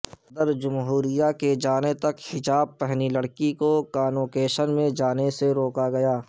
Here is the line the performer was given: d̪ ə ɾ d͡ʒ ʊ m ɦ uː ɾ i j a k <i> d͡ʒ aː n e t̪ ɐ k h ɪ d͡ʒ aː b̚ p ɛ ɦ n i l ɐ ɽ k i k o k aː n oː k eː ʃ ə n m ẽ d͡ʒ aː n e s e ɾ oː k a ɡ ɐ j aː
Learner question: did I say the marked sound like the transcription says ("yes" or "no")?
no